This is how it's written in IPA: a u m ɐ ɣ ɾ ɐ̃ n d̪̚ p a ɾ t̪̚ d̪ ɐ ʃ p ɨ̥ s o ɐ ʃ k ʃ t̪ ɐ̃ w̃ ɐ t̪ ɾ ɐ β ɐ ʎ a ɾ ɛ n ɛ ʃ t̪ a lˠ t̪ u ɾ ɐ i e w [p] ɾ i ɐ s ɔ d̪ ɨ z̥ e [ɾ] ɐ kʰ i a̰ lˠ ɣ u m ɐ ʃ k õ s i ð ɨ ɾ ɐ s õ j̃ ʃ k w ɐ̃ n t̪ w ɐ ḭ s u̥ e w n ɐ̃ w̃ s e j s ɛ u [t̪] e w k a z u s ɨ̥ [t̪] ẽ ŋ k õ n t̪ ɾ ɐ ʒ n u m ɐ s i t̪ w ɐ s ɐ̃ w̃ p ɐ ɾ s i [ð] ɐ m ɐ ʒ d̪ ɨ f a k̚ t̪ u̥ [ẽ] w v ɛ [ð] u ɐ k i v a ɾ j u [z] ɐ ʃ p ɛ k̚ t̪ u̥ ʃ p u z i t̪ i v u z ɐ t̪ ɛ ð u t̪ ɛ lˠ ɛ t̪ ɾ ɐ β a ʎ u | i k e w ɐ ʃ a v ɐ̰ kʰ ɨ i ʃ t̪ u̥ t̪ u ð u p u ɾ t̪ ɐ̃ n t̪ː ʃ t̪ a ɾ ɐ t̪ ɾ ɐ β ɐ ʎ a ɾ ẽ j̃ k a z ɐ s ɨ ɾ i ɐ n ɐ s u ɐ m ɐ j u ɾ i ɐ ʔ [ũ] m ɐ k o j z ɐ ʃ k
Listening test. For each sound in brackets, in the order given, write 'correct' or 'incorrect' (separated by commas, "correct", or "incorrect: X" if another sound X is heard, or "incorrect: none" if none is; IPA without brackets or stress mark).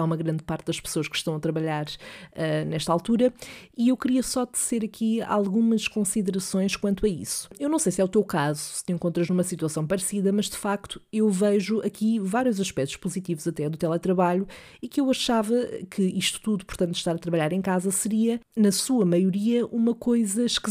incorrect: k, correct, correct, correct, correct, incorrect: e, incorrect: ʒ, correct, incorrect: u